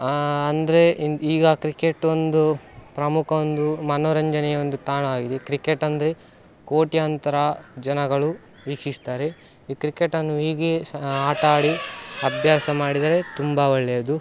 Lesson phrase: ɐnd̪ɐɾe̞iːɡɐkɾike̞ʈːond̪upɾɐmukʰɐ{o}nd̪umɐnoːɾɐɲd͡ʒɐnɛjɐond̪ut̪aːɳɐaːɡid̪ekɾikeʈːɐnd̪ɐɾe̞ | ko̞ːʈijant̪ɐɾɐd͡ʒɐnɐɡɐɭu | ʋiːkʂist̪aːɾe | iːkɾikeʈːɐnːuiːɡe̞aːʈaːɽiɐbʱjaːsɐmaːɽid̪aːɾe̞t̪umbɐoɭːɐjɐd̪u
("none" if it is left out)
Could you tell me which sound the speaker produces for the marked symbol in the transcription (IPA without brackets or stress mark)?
o